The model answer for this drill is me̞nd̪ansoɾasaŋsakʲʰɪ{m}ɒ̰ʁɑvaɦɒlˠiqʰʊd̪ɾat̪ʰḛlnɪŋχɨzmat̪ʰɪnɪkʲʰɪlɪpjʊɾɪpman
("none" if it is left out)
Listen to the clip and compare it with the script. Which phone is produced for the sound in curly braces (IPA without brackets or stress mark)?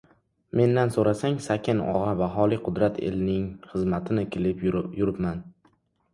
n